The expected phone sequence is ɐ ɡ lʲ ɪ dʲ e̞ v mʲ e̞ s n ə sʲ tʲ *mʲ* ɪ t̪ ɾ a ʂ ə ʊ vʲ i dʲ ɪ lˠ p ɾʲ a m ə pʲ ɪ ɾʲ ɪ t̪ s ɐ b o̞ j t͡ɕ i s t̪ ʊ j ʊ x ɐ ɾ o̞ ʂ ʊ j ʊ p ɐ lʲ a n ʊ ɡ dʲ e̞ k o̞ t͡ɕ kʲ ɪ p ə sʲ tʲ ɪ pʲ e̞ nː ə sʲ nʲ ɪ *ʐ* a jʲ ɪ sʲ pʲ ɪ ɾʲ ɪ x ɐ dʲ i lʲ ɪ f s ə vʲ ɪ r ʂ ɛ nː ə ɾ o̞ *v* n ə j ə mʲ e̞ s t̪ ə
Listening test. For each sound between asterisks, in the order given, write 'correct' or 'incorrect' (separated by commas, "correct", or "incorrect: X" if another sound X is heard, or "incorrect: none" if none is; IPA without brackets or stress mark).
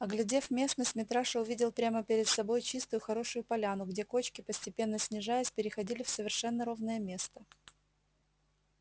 correct, correct, correct